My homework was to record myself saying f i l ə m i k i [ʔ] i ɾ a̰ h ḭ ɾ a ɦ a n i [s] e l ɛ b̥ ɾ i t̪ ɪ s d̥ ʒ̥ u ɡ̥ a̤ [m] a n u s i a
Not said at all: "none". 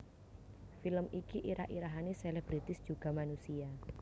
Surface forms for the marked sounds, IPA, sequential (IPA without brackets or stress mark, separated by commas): ʔ, s, m